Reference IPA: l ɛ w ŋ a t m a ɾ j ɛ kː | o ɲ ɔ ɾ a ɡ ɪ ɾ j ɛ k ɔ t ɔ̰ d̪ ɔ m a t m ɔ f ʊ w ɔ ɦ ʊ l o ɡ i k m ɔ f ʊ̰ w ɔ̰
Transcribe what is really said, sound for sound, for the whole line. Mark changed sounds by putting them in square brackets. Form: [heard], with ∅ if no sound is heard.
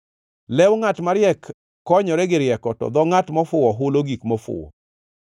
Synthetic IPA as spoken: l ɛ w ŋ a t m a ɾ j ɛ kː | [ɔ] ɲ ɔ ɾ [ɛ] ɡ ɪ ɾ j ɛ k ɔ t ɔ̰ d̪ ɔ [ŋ] a t m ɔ f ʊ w ɔ ɦ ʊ l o ɡ i k m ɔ f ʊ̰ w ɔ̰